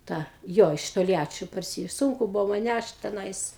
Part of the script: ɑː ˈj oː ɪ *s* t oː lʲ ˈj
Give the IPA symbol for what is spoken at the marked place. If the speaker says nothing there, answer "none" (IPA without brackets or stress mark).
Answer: ʃ